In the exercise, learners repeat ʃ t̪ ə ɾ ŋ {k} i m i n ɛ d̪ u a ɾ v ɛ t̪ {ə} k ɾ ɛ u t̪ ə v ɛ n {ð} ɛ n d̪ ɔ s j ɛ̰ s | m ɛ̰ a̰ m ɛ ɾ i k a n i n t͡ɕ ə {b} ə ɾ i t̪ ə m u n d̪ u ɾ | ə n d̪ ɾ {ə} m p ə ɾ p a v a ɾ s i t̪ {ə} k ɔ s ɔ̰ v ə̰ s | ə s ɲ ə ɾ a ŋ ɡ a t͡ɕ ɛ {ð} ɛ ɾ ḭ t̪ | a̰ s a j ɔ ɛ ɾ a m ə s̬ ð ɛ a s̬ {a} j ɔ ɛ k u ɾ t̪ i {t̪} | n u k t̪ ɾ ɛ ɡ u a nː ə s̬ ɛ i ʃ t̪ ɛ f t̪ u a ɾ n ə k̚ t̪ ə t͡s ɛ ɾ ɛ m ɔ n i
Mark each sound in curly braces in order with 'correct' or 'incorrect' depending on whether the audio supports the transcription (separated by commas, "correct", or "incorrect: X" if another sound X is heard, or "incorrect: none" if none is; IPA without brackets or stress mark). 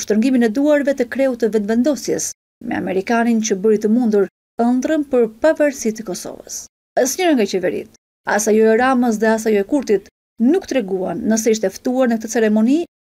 incorrect: ɡ, correct, incorrect: v, correct, correct, correct, incorrect: v, correct, correct